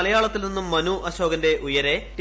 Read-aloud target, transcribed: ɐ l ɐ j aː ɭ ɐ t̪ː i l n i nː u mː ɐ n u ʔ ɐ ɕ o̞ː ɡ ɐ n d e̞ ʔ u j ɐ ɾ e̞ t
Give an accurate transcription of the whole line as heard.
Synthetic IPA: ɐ l ɐ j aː ɭ ɐ t̪ː i l n i nː u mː ɐ n u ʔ ɐ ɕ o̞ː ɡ ɐ n d e̞ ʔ u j ɐ ɾ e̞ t